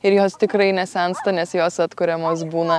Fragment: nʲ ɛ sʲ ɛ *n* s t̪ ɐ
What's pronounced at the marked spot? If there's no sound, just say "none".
n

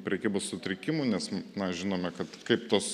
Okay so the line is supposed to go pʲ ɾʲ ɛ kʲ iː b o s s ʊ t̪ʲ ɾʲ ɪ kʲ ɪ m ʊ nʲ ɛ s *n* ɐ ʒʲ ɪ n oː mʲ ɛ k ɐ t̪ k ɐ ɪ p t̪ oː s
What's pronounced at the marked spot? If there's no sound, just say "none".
n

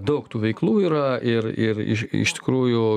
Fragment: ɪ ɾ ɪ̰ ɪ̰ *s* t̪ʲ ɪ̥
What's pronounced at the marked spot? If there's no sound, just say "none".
ʃ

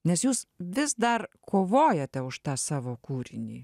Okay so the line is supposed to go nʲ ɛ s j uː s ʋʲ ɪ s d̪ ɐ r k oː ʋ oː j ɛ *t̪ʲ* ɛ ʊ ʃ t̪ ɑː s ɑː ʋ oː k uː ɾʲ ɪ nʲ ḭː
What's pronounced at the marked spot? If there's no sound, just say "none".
t̪ʲ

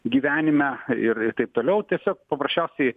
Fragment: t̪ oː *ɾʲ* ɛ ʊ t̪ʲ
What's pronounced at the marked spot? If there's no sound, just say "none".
lʲ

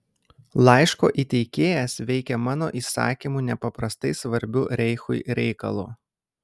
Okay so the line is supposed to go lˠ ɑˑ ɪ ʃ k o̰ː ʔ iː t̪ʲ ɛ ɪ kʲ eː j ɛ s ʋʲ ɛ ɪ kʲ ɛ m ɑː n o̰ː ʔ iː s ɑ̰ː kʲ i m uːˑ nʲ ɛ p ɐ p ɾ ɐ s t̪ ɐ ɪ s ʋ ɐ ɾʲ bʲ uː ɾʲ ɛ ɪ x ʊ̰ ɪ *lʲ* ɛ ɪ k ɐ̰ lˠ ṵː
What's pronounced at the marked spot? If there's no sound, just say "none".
ɾʲ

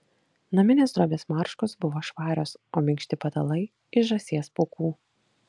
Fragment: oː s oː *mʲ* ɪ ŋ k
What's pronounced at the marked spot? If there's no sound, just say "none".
mʲ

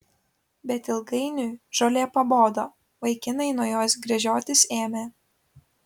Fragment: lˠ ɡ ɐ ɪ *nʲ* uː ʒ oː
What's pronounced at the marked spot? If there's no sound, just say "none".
nʲ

